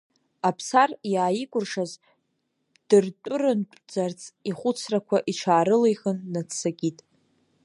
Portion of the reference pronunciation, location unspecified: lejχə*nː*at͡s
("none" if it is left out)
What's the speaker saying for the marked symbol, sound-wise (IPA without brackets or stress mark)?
nː